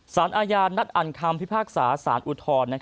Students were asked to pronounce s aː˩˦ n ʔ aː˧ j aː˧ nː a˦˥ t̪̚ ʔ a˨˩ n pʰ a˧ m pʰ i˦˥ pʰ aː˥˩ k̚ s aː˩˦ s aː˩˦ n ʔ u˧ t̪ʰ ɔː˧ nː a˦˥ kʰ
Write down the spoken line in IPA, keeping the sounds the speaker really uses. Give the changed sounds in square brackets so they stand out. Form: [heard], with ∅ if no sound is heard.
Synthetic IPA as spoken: s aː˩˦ n ʔ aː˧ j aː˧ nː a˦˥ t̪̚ ʔ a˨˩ n [kʰ] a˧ m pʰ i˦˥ pʰ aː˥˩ k̚ s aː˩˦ s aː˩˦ n ʔ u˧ t̪ʰ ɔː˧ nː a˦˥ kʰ

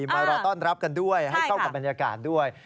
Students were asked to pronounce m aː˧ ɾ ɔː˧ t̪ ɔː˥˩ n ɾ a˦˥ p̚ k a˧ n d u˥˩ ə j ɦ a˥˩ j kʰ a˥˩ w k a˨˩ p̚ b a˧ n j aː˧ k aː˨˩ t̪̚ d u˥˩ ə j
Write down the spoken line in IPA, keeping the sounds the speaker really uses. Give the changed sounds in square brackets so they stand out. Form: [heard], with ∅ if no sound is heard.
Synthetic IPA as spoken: m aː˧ ɾ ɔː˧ t̪ ɔː˥˩ n ɾ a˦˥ p̚ k a˧ n d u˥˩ ə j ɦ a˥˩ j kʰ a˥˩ w k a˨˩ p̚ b a˧ n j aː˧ k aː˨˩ t̪̚ d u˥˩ ə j

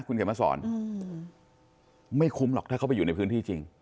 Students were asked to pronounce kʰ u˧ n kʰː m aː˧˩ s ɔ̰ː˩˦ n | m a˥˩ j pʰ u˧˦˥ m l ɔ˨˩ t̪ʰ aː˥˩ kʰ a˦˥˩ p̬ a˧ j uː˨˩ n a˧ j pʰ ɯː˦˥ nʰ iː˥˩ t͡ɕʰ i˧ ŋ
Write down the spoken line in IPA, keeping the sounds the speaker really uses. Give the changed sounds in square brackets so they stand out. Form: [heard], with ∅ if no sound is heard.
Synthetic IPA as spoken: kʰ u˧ n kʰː m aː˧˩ s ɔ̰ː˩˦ n | m a˥˩ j [kʰ] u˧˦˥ m l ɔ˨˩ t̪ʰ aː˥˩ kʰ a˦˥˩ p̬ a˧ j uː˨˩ n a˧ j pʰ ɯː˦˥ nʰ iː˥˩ [t͡ɕ] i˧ ŋ

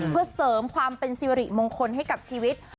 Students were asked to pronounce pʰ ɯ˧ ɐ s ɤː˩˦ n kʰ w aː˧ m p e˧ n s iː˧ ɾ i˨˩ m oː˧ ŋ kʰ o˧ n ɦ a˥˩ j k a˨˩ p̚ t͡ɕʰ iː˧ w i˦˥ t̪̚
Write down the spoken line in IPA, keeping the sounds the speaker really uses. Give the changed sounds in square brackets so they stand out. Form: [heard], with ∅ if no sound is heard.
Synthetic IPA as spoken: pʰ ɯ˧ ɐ s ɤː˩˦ [m] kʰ w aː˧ m p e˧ n s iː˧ ɾ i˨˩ m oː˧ ŋ kʰ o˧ n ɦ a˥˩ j k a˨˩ p̚ t͡ɕʰ iː˧ w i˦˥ t̪̚

